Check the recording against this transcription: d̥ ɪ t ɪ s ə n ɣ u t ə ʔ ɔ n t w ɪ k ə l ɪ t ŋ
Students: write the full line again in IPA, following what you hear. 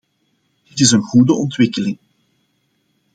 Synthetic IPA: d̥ ɪ t ɪ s ə n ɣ u d ə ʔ ɔ n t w ɪ k ə l ɪ ŋ